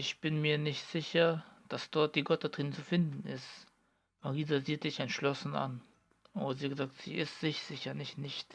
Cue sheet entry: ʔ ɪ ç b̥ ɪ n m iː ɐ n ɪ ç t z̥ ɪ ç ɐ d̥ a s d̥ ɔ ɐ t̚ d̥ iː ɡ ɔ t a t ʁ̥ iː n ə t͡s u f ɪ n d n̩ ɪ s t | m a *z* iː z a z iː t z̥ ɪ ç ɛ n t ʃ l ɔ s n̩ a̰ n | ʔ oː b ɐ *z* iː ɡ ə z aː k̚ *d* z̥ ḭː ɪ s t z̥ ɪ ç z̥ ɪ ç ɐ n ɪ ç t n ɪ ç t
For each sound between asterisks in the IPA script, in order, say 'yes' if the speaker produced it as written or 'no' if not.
no, yes, no

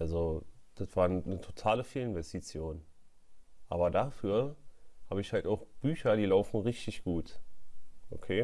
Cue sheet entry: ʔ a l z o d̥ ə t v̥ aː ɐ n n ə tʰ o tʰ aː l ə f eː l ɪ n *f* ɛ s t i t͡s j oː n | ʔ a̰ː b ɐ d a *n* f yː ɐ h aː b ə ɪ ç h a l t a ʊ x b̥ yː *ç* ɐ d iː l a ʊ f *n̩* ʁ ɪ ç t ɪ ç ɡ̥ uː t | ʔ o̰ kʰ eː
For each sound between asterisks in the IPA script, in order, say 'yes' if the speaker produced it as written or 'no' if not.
no, no, yes, yes

